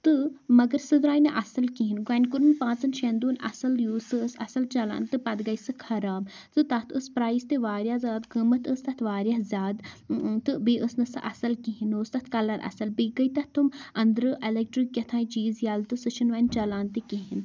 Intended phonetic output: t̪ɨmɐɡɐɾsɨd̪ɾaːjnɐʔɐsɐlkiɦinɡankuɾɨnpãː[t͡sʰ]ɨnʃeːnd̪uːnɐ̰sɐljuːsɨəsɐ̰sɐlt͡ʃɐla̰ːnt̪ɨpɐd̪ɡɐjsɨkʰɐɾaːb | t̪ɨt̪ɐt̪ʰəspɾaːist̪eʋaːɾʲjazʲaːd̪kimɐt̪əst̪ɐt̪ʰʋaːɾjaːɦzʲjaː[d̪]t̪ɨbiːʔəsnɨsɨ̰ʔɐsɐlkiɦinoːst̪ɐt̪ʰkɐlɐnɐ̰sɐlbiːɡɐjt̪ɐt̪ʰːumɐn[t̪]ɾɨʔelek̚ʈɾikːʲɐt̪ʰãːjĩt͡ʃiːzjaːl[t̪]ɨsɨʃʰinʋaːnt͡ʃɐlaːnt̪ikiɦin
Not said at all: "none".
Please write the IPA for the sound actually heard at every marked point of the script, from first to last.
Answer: t͡s, d̪, d̪, t̪

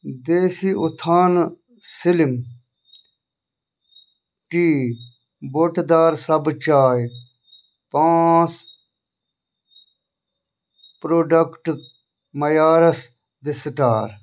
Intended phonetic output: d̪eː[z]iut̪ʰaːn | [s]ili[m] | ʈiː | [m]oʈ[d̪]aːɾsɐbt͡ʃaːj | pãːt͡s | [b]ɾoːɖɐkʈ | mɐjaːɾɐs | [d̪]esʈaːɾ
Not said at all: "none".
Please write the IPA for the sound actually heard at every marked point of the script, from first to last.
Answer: s, s, m, b, d̪, p, d̪

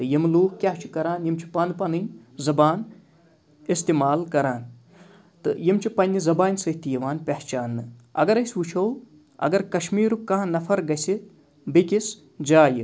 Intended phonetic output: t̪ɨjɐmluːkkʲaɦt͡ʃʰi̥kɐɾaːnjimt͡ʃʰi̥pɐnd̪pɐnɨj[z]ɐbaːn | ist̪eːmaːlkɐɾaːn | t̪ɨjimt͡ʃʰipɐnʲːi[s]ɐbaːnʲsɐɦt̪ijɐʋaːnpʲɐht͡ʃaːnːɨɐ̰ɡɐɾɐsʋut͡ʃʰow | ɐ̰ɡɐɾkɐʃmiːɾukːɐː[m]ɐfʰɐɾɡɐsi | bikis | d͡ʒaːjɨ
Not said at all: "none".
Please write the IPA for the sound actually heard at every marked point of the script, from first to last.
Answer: z, z, n

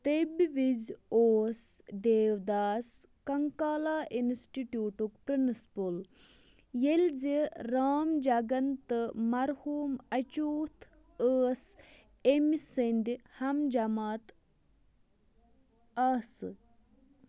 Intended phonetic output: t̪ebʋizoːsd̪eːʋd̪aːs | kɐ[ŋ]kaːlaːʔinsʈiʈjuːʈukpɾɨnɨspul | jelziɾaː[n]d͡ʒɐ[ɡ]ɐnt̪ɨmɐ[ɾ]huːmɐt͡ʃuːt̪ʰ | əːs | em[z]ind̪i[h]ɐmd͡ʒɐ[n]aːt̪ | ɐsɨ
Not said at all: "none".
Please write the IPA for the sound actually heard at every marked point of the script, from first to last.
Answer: ŋ, m, ɡ, ɾ, s, h, m

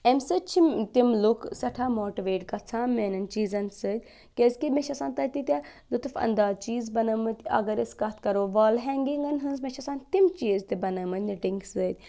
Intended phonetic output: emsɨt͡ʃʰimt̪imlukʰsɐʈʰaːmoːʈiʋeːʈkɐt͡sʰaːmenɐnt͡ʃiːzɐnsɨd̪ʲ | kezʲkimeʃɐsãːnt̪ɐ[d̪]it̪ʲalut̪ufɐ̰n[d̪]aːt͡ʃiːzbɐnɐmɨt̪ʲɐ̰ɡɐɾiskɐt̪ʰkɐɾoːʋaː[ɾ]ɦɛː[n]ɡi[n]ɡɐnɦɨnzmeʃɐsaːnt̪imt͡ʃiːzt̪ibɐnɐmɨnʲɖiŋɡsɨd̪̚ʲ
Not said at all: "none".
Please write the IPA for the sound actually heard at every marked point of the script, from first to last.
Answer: t̪, d̪, l, ŋ, ŋ

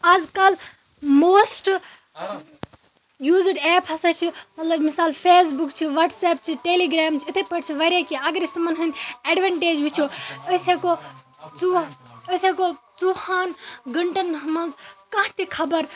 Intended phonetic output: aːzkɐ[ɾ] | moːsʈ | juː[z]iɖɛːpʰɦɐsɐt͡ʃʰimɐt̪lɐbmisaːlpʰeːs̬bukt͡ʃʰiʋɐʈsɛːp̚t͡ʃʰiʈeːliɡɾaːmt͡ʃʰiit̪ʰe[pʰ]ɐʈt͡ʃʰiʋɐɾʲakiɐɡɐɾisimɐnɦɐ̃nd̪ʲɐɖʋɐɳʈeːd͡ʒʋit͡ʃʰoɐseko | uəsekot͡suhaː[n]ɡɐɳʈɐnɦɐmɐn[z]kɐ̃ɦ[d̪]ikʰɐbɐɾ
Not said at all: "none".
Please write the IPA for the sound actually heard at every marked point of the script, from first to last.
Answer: l, z, p, n, z, t̪

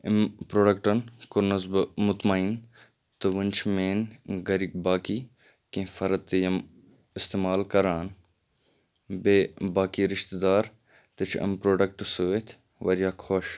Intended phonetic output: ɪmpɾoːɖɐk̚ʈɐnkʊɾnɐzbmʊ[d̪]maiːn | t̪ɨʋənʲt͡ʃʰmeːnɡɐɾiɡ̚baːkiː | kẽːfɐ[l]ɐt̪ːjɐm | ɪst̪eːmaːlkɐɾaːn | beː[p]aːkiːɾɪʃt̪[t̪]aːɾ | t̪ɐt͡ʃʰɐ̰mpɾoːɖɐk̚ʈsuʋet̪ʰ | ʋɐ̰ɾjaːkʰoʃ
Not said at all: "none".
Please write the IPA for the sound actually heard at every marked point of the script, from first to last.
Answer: t̪, ɾ, b, d̪

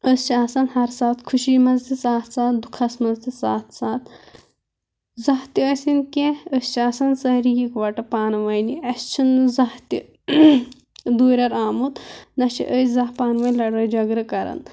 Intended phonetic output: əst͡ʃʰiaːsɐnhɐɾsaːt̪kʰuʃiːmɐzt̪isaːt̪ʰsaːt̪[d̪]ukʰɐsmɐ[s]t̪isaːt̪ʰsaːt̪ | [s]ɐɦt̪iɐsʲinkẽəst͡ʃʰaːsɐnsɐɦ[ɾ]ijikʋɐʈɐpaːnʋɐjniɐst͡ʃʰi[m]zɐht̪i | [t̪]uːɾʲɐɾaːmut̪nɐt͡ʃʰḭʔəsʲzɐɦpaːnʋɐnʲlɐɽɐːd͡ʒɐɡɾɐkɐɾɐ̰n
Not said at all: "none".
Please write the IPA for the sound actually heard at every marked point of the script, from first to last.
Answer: d̪, z, z, ɾ, n, d̪

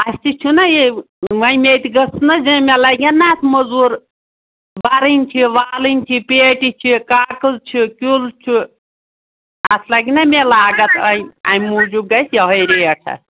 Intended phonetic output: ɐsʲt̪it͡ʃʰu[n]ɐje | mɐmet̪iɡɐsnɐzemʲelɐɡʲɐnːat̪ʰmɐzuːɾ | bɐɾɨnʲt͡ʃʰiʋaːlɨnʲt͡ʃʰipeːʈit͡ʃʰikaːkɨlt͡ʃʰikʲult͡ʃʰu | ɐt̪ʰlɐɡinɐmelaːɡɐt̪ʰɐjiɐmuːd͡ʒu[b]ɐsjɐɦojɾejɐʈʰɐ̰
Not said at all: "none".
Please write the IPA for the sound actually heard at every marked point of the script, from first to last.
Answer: n, ɡ

